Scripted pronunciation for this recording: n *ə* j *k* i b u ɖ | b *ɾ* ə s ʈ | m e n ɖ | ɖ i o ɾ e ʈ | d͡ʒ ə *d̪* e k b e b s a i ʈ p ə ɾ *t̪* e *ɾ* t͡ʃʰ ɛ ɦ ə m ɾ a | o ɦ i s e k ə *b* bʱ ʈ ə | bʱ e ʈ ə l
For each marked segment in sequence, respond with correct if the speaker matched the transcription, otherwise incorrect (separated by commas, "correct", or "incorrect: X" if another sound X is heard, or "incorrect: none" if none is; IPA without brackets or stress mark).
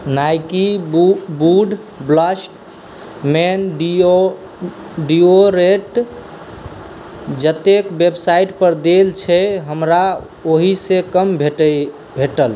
incorrect: a, correct, incorrect: l, incorrect: t̪, incorrect: d̪, incorrect: l, incorrect: m